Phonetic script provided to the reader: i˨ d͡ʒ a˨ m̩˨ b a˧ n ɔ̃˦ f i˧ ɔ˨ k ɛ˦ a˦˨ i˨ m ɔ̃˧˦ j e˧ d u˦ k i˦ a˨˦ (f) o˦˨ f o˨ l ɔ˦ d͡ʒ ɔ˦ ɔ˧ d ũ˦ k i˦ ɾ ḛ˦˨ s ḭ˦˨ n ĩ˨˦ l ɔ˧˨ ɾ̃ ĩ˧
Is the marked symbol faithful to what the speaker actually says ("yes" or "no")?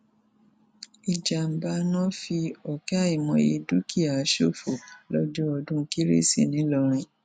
no